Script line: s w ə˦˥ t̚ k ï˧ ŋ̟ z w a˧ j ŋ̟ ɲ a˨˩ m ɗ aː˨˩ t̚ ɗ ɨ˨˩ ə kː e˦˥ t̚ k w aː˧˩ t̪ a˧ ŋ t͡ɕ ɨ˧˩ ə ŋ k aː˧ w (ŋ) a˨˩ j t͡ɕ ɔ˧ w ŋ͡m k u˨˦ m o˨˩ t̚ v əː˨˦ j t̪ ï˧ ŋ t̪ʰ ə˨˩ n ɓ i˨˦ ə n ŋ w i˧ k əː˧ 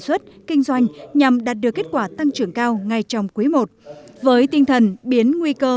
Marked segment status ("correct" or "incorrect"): correct